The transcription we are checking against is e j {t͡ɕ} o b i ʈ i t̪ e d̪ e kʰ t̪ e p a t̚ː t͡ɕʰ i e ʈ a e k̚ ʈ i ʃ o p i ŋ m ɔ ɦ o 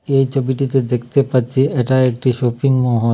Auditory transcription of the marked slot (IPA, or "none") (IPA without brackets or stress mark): t͡ɕʰ